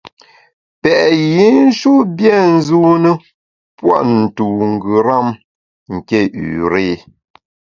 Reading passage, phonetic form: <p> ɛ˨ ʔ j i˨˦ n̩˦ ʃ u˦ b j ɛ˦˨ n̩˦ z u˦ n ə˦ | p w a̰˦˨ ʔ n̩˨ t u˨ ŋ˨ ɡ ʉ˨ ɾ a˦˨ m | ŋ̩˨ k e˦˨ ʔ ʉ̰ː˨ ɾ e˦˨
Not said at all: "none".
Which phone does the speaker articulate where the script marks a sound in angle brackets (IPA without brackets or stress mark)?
p